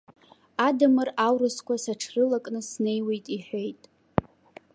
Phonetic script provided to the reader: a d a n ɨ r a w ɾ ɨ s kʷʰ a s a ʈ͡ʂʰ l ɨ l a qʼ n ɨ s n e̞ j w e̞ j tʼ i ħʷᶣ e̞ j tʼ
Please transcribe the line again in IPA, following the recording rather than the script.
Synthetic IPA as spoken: a d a m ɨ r a w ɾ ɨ s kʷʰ a s a ʈ͡ʂʰ r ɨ l a kʼ n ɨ s n e̞ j w e̞ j tʼ i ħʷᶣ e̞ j tʼ

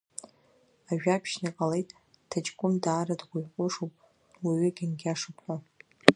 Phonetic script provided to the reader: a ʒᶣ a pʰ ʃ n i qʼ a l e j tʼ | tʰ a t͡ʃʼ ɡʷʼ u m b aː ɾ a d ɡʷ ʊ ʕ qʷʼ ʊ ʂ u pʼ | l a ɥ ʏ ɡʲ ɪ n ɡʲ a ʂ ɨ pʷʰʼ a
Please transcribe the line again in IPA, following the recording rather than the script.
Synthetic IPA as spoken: a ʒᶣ a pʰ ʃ n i qʼ a l e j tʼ | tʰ a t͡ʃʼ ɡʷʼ ʊ m d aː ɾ a d ɡʷ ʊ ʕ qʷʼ ʊ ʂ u pʼ | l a ɥ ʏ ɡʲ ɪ n ɡʲ a ʂ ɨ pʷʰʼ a

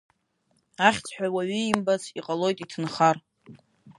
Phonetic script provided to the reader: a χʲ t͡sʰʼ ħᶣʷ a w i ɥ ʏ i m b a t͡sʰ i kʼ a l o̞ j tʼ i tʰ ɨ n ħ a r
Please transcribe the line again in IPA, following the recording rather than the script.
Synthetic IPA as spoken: a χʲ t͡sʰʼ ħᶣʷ a w a ɥ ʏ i m b a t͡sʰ i qʼ a l o̞ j tʼ i tʰ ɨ n χ a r

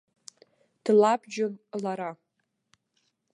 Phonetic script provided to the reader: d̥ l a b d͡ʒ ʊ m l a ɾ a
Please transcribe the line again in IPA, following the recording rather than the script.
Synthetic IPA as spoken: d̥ l a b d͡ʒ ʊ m l a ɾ a

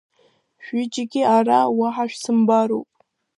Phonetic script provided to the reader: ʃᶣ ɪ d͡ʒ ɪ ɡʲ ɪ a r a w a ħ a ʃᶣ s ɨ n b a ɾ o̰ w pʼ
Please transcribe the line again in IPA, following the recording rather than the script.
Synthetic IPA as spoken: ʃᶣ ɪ d͡ʒ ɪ ɡʲ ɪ a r a w a ħ a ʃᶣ s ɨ m b a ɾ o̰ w pʼ

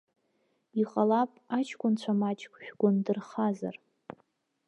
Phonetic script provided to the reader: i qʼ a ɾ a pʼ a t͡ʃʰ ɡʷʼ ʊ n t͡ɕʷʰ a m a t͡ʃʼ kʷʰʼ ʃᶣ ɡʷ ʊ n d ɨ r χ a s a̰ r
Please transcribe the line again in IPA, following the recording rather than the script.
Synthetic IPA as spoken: i qʼ a l a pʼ a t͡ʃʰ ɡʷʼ ʊ n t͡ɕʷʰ a m a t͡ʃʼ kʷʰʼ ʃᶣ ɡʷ ʊ n d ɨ r χ a z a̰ r

